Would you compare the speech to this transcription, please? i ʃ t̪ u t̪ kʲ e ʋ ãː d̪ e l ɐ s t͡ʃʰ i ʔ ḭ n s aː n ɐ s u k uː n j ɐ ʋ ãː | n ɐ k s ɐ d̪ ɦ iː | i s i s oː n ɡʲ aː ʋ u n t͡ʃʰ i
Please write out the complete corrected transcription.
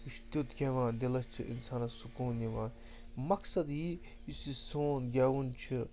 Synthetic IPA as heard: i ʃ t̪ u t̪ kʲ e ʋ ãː d̪ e l ɐ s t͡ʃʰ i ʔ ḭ n s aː n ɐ s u k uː n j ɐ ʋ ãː | m ɐ k s ɐ d̪ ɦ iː | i s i s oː n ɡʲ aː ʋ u n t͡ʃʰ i